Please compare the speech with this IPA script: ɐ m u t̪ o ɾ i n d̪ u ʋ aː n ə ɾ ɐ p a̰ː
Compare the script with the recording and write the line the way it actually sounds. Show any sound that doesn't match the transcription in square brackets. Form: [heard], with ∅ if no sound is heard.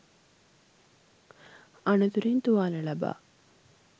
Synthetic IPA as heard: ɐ [n] u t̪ [u] ɾ i n [t̪] u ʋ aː n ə [l] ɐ [b] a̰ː